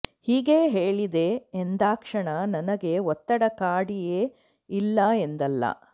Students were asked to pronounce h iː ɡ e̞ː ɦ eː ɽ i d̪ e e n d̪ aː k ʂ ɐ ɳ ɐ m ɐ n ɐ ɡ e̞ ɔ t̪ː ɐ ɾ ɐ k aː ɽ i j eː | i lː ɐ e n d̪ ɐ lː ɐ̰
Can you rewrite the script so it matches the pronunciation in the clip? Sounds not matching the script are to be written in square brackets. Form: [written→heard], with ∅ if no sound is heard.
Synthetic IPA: h iː ɡ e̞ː ɦ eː [ɽ→ɭ] i d̪ e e n d̪ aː k ʂ ɐ ɳ ɐ [m→n] ɐ n ɐ ɡ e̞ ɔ t̪ː ɐ [ɾ→ɽ] ɐ k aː ɽ i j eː | i lː ɐ e n d̪ ɐ lː ɐ̰